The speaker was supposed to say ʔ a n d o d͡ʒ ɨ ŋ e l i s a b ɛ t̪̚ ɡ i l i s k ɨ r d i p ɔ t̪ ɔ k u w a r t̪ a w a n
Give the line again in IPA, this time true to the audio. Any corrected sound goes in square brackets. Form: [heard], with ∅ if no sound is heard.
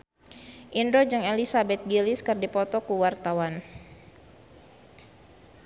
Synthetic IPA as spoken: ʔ [i] n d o d͡ʒ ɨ ŋ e l i s a b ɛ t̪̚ ɡ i l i s k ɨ r d i p ɔ t̪ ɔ k u w a r t̪ a w a n

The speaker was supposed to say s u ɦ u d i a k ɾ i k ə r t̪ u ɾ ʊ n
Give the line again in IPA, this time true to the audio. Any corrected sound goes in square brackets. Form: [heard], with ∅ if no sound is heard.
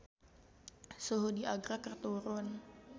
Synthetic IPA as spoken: s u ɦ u d i a [ɡ] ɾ [a] k ə r t̪ u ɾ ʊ n

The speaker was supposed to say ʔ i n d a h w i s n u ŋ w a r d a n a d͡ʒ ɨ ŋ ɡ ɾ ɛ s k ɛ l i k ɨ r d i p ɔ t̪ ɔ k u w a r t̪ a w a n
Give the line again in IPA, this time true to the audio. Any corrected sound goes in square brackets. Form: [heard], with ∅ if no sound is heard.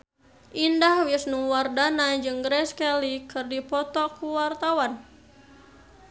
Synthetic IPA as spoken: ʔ i n d a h w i s n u ŋ w a r d a n a d͡ʒ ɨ ŋ ɡ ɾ ɛ s k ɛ l i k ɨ r d i p ɔ t̪ ɔ k u w a r t̪ a w a n

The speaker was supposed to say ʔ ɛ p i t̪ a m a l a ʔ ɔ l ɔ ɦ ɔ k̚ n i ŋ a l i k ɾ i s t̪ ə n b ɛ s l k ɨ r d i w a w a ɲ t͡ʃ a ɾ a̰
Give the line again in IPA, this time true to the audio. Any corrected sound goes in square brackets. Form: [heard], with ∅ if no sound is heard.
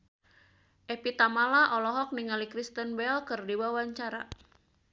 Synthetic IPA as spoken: ʔ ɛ p i t̪ a m a l a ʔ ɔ l ɔ ɦ ɔ k̚ n i ŋ a l i k ɾ i s t̪ ə n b ɛ [∅] l k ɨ r d i w a w a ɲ t͡ʃ a ɾ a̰

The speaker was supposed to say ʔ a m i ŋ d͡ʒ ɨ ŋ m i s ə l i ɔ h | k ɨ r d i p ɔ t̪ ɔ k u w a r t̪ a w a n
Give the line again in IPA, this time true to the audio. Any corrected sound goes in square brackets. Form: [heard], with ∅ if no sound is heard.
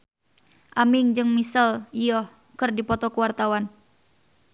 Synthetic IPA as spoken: ʔ a m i ŋ d͡ʒ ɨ ŋ m i s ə l i ɔ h | k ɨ r d i p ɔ t̪ ɔ k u w a r t̪ a w a n

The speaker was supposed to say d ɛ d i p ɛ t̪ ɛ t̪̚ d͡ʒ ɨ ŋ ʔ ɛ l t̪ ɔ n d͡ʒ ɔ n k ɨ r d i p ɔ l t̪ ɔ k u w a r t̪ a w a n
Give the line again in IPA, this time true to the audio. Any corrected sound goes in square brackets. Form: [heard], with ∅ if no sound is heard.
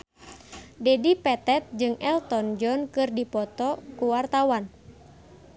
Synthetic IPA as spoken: d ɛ d i p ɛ t̪ ɛ t̪̚ d͡ʒ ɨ ŋ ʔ ɛ l t̪ ɔ n d͡ʒ ɔ n k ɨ r d i p ɔ [∅] t̪ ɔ k u w a r t̪ a w a n

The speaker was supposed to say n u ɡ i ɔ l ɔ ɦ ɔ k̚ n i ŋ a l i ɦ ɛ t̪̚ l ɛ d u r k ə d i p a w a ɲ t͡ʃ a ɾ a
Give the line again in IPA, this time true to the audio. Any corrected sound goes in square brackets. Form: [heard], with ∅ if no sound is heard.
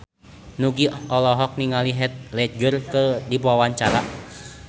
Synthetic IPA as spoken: n u ɡ i ɔ l ɔ ɦ ɔ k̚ n i ŋ a l i ɦ ɛ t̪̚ l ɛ [d͡ʒ] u r k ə d i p a w a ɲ t͡ʃ a ɾ a

